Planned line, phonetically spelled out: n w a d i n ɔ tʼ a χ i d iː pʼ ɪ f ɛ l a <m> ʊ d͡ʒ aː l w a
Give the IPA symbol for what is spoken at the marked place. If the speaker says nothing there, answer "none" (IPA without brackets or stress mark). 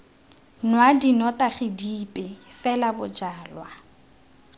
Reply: b